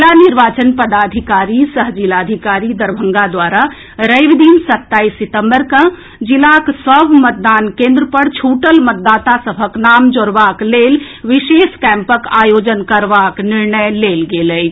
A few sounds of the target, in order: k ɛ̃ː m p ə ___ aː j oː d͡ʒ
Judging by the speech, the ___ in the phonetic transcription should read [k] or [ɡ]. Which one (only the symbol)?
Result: k